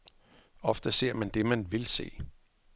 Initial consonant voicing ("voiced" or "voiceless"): voiceless